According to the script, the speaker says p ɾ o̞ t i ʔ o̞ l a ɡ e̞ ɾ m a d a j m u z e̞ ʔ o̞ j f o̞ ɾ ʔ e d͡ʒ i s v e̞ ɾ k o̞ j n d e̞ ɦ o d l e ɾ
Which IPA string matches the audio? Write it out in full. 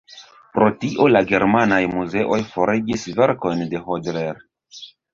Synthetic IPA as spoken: p ɾ o̞ t i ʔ o̞ l a ɡ e̞ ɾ m a n a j m u z e̞ ʔ o̞ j f o̞ ɾ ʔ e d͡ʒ i s v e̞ ɾ k o̞ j n d e̞ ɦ o d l e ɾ